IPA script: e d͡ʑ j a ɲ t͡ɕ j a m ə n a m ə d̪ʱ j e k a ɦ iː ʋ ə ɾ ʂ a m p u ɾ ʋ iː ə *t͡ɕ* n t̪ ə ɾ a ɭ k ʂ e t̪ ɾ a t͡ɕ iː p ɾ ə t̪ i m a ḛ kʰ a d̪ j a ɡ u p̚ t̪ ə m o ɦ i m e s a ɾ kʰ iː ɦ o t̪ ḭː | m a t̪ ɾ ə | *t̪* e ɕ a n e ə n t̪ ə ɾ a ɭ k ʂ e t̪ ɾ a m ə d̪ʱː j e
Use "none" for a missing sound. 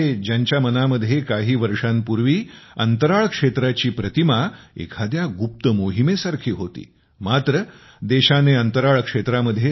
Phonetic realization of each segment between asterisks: none, d̪

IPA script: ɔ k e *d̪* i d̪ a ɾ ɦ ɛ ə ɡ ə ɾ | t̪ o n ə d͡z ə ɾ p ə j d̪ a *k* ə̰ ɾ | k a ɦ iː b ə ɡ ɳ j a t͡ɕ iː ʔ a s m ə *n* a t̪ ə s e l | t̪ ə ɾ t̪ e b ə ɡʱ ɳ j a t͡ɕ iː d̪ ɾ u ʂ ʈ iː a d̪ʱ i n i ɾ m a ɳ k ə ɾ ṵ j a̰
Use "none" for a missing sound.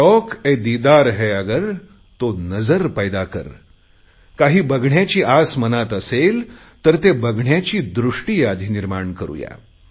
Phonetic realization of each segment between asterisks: d̪, k, n

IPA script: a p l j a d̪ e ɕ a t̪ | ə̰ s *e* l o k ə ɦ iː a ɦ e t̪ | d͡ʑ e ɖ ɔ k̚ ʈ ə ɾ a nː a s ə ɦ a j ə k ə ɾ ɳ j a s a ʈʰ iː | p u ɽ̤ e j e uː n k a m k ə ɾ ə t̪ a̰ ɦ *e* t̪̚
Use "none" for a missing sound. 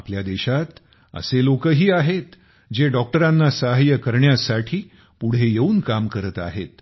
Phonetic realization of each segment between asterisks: e, e

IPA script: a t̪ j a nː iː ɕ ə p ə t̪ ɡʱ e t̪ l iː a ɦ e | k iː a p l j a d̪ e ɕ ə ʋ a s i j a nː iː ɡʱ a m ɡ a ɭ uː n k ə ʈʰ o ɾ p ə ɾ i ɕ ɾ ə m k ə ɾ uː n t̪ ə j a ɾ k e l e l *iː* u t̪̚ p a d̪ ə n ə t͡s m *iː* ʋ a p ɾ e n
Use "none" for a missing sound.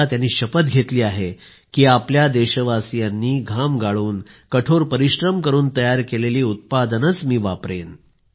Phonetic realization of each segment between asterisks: iː, iː

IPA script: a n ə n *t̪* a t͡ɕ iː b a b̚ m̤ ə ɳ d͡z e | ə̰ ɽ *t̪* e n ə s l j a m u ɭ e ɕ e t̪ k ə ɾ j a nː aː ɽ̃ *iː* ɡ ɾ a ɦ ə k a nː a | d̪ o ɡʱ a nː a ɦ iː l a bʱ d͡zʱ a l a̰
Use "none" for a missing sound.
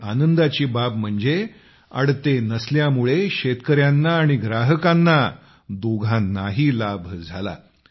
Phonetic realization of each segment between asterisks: d̪, t̪, i

